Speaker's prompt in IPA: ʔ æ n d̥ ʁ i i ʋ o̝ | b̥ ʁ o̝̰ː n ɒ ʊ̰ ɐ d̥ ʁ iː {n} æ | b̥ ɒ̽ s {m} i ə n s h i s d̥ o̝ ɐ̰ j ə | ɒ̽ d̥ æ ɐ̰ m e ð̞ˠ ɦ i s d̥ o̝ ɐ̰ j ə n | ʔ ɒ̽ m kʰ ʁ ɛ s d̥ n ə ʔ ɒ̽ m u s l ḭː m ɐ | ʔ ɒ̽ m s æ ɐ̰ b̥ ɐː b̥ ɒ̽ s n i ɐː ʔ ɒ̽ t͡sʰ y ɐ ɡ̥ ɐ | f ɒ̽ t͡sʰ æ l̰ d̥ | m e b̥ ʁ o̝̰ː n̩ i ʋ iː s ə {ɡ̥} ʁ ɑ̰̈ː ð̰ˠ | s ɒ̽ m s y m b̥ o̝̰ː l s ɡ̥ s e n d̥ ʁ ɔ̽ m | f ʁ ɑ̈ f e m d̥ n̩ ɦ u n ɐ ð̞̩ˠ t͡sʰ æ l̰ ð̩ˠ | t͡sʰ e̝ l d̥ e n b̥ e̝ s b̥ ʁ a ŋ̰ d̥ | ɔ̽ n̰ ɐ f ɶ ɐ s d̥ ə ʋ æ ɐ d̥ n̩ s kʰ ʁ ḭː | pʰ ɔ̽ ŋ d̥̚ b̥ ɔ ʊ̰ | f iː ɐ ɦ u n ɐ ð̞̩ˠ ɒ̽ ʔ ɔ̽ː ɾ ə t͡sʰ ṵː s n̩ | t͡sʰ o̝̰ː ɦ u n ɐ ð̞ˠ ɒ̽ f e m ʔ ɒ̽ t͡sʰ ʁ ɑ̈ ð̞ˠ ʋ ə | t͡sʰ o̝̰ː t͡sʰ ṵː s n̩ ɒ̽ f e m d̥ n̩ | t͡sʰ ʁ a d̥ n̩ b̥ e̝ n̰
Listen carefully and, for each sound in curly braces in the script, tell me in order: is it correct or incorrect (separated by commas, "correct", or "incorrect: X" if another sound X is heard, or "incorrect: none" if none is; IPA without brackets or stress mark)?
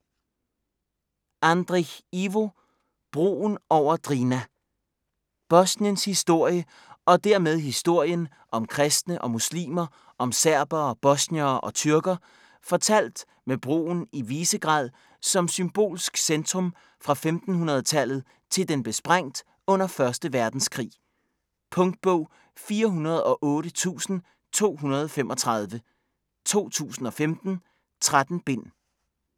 correct, incorrect: n, correct